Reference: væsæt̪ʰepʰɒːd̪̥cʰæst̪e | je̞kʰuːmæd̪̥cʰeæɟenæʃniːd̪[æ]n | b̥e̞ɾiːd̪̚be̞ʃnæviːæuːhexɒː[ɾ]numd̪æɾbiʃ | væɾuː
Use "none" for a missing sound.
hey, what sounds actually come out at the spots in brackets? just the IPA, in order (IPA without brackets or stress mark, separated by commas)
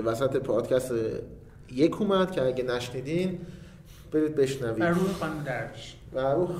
i, none